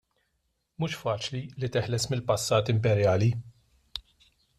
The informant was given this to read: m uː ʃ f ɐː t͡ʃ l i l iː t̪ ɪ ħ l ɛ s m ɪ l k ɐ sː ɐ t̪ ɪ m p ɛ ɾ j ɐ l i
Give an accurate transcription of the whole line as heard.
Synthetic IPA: m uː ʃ f ɐː t͡ʃ l i l i t̪ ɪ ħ l ɛ s m ɪ l p ɐ sː ɐː t̪ ɪ m p ɛ ɾ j ɐː l i